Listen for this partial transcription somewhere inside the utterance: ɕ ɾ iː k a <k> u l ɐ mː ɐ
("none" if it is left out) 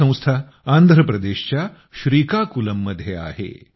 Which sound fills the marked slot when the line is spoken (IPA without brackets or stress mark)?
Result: k